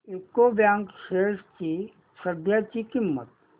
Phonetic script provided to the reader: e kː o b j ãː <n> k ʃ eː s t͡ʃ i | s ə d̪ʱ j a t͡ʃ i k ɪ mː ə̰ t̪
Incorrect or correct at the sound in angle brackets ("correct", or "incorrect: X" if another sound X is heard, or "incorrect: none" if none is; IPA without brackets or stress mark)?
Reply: incorrect: ŋ